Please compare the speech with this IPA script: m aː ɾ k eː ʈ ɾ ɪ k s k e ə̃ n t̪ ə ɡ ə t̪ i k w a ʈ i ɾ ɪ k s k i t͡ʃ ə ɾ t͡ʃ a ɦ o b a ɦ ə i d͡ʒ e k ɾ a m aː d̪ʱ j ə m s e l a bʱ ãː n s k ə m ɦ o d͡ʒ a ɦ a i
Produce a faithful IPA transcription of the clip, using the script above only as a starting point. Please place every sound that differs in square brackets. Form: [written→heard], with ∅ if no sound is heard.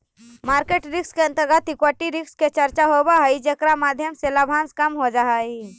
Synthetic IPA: m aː ɾ k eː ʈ ɾ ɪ k s k e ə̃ n t̪ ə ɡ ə t̪ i k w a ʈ i ɾ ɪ k s k [i→e] t͡ʃ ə ɾ t͡ʃ a ɦ o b a ɦ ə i d͡ʒ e k ɾ a m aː d̪ʱ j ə m s e l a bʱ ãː n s k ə m ɦ o d͡ʒ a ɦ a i